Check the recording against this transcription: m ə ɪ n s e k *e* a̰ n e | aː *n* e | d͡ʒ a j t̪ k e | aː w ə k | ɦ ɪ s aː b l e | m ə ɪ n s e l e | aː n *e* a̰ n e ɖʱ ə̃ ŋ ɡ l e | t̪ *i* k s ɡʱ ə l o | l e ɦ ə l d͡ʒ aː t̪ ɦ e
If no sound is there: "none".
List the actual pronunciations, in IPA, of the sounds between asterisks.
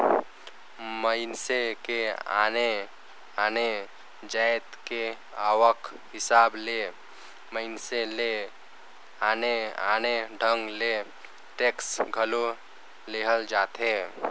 e, n, e, e

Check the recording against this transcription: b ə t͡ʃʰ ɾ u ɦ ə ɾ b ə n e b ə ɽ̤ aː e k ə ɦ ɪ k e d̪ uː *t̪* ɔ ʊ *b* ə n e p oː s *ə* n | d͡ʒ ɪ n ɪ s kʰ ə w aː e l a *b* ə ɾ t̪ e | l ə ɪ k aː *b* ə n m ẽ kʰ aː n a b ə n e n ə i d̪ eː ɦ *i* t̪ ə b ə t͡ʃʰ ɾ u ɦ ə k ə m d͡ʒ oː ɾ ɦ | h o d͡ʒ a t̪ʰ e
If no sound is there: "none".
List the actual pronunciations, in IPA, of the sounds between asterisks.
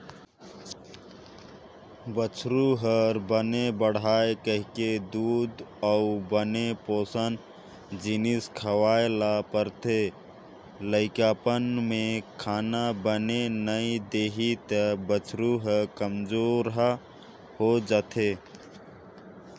d̪, b, ə, p, p, i

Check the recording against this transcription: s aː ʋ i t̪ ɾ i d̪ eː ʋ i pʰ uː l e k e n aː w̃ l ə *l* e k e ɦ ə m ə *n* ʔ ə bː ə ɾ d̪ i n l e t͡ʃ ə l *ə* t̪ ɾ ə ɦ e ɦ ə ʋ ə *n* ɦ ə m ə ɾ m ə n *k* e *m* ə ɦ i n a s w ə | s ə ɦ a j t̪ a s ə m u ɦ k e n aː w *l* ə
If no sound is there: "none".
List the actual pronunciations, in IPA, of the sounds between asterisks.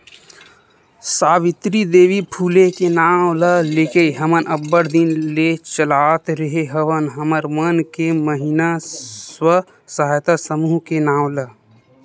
l, n, a, n, k, m, l

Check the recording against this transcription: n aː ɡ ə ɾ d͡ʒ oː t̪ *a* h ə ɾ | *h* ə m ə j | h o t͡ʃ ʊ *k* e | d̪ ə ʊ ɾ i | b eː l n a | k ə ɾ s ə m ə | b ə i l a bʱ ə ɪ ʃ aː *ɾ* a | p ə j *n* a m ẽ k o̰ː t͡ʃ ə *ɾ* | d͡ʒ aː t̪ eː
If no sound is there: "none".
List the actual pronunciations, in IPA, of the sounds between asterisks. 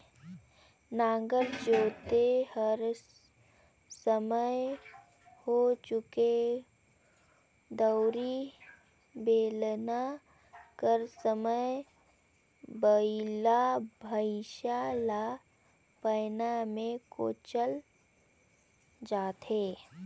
e, s, k, l, n, l

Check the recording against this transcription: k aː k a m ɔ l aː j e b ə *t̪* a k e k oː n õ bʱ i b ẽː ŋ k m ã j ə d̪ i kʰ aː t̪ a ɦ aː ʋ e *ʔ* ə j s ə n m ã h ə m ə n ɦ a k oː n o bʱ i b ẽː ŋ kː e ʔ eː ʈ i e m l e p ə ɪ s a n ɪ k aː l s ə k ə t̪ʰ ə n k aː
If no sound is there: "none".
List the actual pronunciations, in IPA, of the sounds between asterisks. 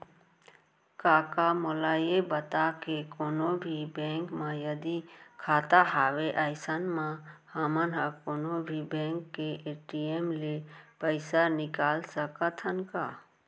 t̪, ʔ

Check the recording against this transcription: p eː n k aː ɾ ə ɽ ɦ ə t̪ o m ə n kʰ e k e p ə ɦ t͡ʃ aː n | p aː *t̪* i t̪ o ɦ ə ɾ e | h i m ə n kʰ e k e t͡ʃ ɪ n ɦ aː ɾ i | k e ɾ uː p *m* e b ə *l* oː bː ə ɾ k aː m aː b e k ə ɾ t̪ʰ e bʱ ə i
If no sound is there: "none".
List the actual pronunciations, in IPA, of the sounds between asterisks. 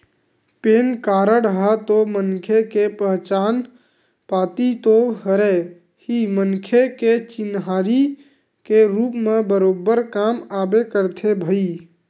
t̪, m, ɾ

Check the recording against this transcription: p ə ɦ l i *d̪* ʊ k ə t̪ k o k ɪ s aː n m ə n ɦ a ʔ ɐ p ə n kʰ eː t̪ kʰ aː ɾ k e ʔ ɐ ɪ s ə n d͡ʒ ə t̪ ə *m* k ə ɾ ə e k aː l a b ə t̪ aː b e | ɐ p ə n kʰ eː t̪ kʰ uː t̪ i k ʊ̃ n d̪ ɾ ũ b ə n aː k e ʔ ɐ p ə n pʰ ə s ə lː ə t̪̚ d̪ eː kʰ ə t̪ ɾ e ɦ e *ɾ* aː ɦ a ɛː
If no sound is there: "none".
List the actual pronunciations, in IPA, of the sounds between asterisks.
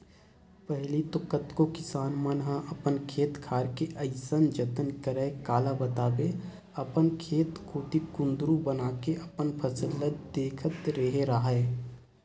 t̪, n, ɾ

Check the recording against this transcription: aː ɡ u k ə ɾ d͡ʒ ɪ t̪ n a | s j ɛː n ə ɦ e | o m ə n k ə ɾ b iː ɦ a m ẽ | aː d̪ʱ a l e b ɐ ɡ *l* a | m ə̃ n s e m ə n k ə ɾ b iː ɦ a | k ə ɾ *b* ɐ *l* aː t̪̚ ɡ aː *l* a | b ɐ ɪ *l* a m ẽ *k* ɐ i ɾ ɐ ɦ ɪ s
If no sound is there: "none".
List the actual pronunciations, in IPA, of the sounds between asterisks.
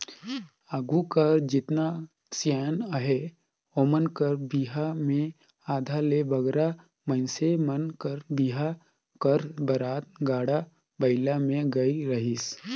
ɾ, b, ɾ, ɽ, l, ɡ

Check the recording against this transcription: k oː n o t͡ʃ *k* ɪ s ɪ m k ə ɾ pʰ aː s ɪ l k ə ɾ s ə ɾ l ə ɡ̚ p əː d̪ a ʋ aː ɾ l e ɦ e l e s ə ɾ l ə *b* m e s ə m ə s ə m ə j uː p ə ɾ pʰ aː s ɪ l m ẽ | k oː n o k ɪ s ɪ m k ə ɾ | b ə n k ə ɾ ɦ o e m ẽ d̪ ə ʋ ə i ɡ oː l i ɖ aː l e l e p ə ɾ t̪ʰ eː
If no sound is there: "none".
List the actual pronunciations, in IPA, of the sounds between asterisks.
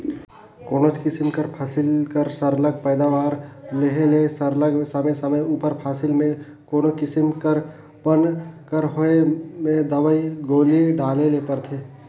k, ɡ

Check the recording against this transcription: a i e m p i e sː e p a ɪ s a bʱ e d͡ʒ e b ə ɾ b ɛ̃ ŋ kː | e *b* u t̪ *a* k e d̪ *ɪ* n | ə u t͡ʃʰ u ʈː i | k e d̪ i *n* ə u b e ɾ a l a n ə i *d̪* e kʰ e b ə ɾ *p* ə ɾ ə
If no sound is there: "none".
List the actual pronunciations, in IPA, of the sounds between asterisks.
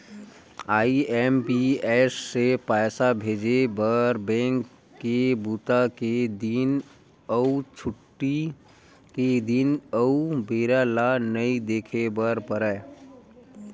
b, a, i, n, d̪, p

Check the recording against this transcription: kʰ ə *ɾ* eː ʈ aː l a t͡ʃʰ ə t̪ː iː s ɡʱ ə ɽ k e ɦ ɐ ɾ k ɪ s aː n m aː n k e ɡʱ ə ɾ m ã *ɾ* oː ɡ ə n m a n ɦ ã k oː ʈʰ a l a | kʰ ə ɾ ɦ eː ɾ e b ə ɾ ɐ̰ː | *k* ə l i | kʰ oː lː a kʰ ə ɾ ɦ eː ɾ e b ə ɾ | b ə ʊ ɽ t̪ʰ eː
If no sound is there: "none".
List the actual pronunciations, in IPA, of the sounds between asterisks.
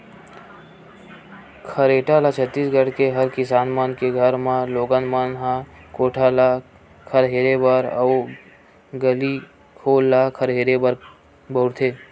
ɾ, l, ɡ

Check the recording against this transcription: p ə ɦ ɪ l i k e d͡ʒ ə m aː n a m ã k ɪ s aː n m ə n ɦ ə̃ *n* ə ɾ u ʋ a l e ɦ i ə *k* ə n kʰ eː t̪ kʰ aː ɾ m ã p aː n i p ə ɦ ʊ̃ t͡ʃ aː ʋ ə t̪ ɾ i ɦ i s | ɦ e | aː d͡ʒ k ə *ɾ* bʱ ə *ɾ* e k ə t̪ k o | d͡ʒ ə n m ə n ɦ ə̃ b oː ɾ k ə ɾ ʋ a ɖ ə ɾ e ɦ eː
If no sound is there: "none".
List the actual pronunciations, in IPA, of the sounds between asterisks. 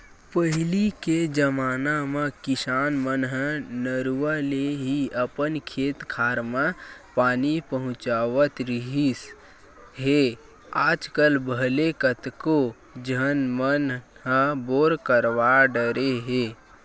n, p, l, l

